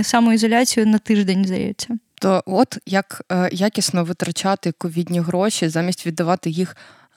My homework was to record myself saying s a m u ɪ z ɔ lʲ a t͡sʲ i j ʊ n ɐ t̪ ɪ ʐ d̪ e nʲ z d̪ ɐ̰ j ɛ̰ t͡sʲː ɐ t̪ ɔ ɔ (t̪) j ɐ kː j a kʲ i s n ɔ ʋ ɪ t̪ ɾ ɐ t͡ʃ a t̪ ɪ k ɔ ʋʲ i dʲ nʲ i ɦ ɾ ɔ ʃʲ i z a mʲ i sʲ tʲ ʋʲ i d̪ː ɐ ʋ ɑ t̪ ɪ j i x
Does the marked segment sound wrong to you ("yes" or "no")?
no